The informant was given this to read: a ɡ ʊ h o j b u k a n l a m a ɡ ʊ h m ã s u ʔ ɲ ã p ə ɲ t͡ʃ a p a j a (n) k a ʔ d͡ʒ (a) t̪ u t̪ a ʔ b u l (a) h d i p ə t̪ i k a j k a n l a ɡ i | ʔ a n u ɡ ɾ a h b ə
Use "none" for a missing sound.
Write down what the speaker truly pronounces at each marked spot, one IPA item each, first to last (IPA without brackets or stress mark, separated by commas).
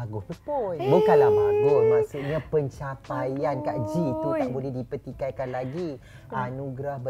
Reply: n, i, ɛ